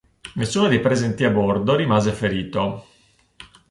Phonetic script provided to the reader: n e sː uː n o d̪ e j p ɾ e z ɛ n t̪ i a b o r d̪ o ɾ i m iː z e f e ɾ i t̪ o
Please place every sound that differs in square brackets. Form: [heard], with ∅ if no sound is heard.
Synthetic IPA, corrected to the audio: n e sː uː n o d̪ e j p ɾ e z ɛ n t̪ i a b o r d̪ o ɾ i m [aː] z e f e ɾ [iː] t̪ o